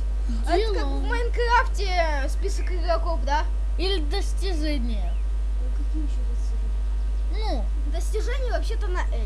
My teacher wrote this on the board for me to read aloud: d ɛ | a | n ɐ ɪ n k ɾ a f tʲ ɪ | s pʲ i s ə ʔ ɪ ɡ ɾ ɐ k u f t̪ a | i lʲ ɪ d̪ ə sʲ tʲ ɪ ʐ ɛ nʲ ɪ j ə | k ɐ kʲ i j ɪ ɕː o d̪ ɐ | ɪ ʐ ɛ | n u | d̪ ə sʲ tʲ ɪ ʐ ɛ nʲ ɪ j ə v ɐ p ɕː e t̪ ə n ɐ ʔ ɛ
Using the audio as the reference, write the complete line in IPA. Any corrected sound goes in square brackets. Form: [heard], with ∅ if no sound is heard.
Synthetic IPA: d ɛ | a | [m] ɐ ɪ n k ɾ a f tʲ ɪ | s pʲ i s ə [k] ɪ ɡ ɾ ɐ k [o] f [d̪] a | i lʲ ɪ d̪ ə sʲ tʲ ɪ ʐ ɛ nʲ ɪ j ə | k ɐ kʲ i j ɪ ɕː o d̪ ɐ | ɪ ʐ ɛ | n u | d̪ ə sʲ tʲ ɪ ʐ ɛ nʲ ɪ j ə v ɐ p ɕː e t̪ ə n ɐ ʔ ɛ